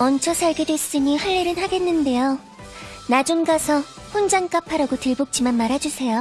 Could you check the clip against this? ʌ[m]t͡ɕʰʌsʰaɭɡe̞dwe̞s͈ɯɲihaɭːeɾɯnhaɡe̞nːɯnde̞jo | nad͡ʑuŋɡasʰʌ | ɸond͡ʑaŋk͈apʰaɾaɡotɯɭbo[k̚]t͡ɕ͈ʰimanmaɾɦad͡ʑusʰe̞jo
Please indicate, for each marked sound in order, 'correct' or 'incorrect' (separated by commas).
incorrect, correct